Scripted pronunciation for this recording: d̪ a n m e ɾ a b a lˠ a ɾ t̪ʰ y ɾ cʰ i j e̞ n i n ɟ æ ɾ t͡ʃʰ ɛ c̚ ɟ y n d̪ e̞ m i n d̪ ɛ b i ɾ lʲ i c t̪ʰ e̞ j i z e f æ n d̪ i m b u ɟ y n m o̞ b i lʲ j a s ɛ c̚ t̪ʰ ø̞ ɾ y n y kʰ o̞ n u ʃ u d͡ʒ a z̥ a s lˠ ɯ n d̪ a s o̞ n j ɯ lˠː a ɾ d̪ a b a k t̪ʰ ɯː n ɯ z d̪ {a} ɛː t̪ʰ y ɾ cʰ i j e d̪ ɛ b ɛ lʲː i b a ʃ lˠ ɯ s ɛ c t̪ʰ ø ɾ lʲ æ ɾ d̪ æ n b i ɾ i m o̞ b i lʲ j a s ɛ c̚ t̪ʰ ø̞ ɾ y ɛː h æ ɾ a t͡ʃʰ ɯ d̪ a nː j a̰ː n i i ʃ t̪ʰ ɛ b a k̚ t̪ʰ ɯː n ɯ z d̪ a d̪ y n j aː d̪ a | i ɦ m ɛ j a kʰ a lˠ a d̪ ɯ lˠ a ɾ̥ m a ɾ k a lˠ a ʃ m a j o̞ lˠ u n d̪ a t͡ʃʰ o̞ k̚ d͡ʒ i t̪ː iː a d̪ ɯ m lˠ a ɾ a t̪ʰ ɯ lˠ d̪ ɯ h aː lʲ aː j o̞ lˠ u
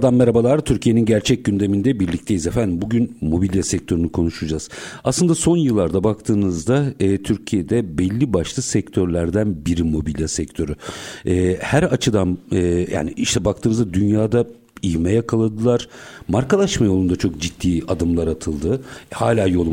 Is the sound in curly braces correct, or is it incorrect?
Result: correct